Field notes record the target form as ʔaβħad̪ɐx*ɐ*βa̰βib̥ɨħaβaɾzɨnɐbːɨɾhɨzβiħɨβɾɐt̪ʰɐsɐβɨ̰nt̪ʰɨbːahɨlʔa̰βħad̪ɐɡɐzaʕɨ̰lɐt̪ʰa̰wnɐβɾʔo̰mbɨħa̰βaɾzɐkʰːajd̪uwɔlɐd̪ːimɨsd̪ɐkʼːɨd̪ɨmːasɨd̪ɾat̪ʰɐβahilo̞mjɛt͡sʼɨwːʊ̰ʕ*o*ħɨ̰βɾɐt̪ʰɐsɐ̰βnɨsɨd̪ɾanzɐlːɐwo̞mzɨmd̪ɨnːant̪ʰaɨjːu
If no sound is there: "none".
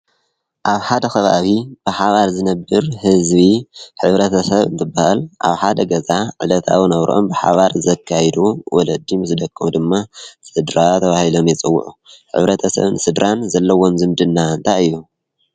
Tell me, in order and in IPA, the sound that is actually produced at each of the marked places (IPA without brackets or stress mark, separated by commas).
ɐ, u